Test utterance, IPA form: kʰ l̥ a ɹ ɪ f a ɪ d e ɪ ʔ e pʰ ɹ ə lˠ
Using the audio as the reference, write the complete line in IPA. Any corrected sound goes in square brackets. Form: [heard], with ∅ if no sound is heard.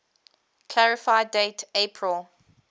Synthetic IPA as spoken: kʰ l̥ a ɹ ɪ f a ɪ d e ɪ [t] e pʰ ɹ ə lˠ